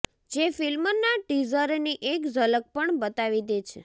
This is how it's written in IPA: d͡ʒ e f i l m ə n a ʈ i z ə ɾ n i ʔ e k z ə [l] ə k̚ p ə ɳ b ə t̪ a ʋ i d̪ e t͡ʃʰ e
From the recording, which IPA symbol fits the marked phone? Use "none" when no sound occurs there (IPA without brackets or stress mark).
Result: l